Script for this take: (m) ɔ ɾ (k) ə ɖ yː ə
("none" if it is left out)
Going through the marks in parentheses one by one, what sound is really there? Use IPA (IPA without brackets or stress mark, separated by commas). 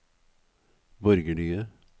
b, ɡ